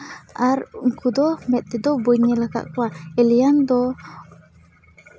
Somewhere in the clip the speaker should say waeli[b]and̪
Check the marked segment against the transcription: incorrect: none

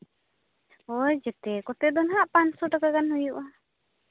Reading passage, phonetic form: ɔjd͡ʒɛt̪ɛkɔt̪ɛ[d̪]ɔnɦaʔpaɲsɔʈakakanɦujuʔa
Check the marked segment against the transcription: correct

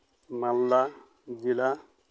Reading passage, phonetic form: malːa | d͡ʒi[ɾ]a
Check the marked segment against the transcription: incorrect: l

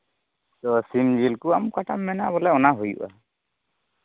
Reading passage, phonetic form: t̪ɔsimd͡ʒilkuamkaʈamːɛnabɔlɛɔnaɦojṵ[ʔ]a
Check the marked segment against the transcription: correct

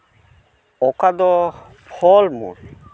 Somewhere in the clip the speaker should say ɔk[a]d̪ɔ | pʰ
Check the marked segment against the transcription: correct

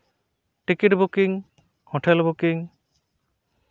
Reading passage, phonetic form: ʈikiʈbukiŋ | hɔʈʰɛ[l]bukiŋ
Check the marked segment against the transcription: correct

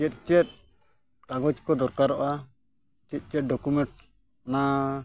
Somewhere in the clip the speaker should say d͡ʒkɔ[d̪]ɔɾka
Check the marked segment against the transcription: correct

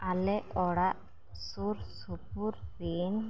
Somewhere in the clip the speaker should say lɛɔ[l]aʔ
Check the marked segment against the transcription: incorrect: ɽ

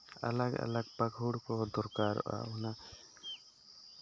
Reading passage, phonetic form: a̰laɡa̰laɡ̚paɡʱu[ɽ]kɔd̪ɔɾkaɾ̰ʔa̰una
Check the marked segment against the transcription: correct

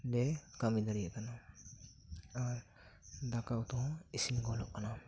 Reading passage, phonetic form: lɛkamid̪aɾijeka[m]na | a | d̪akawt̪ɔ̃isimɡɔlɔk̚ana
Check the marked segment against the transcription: incorrect: none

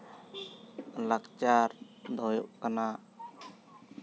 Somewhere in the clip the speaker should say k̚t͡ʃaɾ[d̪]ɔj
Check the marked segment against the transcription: correct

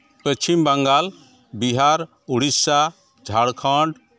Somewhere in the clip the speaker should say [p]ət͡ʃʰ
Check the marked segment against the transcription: correct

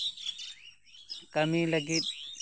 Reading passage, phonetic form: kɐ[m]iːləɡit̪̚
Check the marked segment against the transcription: correct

